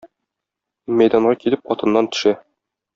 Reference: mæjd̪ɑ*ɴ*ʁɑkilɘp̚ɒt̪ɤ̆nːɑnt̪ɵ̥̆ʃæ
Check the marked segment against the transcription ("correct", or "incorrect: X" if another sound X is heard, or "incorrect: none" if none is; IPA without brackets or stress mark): correct